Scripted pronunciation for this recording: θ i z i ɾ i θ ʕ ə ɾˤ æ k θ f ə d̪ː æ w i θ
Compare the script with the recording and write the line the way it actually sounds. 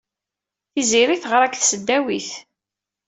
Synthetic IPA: θ i z i ɾ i θ ʁ ə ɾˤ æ k θ s ə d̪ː æ w i θ